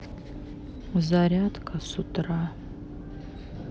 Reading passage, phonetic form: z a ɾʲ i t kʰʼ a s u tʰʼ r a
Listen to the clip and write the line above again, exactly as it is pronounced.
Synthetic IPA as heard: z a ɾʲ a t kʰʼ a s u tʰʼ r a